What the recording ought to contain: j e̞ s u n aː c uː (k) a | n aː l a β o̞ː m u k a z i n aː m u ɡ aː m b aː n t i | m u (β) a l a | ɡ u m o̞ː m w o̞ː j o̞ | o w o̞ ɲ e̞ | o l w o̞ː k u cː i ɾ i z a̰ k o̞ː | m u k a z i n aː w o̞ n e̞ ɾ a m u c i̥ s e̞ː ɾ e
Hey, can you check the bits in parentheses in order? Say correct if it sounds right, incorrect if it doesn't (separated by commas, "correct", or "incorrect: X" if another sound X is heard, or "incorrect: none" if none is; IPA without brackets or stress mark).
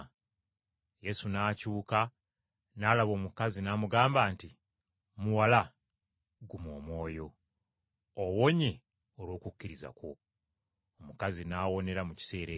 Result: correct, incorrect: w